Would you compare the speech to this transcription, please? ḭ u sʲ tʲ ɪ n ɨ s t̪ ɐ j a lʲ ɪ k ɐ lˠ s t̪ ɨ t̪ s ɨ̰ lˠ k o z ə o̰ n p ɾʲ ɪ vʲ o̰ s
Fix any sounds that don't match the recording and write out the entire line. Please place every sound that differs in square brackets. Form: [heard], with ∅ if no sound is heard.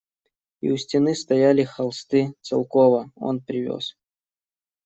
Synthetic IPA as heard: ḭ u sʲ tʲ ɪ n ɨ s t̪ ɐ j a lʲ ɪ [x] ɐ lˠ s t̪ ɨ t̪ s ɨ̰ lˠ k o [v] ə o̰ n p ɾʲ ɪ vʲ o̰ s